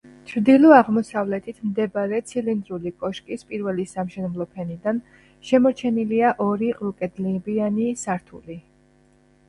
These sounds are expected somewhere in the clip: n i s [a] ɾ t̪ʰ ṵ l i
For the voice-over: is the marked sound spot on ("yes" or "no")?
yes